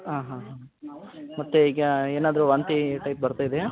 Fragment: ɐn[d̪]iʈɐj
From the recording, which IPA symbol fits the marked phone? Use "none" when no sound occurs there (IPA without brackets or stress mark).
t̪